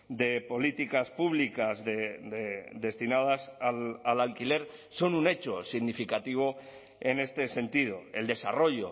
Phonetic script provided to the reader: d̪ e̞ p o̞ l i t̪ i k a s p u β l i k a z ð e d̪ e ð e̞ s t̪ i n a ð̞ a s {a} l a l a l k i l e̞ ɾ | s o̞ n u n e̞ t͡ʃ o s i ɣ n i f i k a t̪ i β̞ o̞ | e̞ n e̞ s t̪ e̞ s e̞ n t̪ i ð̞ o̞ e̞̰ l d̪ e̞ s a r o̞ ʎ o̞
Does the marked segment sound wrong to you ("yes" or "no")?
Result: no